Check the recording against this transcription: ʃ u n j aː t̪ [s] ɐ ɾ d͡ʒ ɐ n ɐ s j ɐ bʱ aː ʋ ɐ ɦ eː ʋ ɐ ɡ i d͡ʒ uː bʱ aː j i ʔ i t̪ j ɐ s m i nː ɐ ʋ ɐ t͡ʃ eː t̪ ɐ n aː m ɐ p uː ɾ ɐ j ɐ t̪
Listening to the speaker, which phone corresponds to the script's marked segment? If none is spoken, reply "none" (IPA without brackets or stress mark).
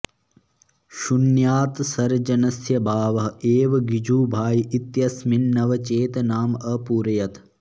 s